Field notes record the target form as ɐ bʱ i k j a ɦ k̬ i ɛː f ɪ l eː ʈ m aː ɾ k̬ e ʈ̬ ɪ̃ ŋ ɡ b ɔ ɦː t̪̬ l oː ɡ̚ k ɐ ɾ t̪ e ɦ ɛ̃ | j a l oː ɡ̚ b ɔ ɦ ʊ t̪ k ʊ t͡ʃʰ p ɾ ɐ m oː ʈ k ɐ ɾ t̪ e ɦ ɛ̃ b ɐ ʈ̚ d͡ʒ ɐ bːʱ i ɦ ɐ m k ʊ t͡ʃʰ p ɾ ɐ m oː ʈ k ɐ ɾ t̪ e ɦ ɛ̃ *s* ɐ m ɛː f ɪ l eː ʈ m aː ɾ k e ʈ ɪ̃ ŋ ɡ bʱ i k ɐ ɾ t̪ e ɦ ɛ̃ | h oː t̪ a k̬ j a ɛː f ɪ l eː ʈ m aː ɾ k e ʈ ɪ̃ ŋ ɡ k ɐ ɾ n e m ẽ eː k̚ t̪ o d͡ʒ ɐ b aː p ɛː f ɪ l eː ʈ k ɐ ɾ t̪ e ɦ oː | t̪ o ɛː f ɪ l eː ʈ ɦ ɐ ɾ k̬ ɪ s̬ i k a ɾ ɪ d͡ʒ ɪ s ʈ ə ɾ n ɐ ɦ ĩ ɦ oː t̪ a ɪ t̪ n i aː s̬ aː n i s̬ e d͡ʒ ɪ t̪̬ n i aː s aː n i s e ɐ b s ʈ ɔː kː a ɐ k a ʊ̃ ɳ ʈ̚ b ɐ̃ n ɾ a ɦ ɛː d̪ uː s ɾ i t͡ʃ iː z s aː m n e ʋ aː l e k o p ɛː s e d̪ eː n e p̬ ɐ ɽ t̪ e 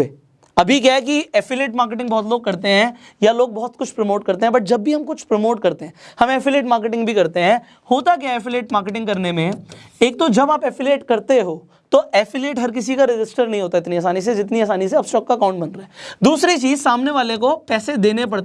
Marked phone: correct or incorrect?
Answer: incorrect